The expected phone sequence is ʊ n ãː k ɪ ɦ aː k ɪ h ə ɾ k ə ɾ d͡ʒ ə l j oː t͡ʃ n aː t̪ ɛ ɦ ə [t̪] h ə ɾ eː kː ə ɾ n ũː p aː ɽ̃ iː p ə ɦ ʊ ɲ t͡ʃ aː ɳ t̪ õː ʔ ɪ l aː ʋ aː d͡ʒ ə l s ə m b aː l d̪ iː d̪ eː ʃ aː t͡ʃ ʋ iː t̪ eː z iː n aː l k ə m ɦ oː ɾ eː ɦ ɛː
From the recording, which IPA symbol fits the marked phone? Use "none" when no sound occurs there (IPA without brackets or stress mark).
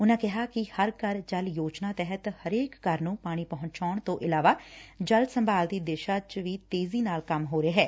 t̪